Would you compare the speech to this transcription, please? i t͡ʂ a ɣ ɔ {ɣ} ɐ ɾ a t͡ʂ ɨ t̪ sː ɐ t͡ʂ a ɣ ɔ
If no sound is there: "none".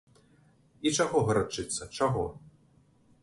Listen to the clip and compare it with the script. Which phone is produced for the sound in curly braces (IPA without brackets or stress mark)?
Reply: ɣ